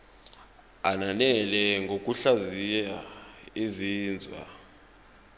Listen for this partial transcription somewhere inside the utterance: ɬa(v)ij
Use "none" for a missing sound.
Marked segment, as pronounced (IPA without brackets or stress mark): z